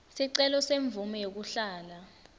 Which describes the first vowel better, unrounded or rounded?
unrounded